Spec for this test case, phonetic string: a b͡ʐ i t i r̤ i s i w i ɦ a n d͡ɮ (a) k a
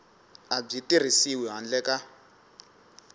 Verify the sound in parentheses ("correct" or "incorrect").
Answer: incorrect